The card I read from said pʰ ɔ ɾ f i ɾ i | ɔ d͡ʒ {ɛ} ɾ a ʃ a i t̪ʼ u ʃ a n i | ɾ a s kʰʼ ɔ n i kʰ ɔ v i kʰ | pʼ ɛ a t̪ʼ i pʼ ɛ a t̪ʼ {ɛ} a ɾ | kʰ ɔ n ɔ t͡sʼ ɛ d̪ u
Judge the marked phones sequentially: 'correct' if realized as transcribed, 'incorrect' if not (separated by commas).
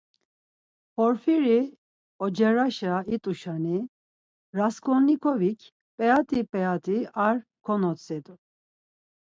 correct, incorrect